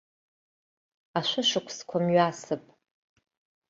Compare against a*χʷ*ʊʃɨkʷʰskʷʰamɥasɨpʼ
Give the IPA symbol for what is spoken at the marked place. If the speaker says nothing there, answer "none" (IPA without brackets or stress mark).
ʃʷ